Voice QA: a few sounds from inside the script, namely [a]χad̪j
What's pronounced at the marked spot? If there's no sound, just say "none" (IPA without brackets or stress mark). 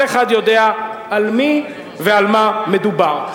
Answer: e